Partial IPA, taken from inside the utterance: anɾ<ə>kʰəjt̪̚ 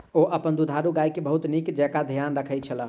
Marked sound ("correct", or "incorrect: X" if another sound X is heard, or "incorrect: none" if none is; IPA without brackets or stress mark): correct